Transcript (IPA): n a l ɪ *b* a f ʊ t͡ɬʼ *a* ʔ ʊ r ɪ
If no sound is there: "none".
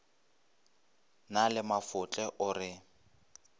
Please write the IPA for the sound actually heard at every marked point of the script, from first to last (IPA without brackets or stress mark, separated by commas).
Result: m, ɛ